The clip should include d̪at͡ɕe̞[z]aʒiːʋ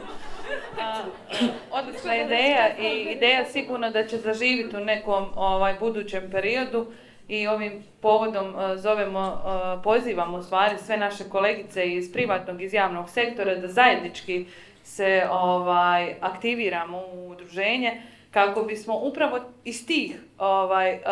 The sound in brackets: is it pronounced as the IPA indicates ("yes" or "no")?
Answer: yes